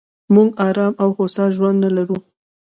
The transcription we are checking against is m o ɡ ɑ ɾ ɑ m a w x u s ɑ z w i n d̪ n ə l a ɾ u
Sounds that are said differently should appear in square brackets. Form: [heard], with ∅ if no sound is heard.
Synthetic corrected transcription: m [u] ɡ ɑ ɾ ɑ m a w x [o] s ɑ [ʒ] w [a] n d̪ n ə l a ɾ u